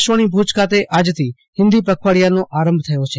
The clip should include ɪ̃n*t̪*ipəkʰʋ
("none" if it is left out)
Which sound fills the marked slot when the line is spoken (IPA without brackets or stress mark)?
d̪